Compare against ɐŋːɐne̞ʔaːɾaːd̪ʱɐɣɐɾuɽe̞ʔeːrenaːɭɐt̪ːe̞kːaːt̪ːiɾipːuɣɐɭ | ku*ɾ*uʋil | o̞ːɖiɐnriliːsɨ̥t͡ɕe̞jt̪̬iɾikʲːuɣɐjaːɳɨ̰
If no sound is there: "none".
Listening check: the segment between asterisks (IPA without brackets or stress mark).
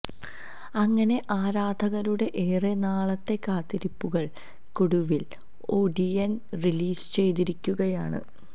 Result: ɽ